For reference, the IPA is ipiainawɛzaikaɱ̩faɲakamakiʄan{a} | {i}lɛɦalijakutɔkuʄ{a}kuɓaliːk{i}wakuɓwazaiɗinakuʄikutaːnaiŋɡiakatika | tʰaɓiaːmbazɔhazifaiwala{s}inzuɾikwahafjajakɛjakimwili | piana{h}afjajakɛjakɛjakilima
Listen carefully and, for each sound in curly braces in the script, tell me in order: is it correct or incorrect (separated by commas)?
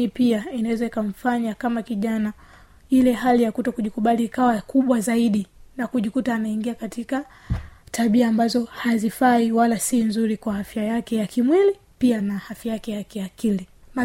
correct, correct, incorrect, incorrect, correct, correct